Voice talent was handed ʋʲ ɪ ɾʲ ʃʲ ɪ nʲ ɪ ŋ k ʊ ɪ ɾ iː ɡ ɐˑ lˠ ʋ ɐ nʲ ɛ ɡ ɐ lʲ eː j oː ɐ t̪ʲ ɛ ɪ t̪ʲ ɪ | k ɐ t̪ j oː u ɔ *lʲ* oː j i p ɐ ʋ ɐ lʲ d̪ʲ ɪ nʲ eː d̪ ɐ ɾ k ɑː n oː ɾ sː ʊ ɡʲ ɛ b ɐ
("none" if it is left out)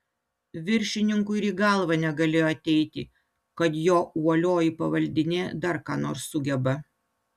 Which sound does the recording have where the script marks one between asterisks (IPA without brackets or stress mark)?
lʲ